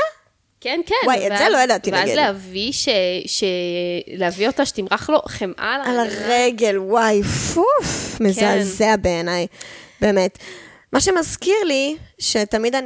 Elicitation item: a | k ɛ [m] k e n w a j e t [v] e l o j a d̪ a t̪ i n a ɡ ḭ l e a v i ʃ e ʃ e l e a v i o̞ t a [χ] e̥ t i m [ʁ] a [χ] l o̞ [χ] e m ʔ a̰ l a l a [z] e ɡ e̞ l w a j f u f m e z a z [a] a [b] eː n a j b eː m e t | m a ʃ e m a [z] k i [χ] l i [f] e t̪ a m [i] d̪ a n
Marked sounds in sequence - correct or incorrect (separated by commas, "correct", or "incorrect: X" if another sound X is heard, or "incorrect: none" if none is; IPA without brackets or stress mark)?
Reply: incorrect: n, incorrect: z, incorrect: ʃ, correct, correct, correct, incorrect: ʁ, incorrect: e, correct, correct, incorrect: ʁ, incorrect: ʃ, correct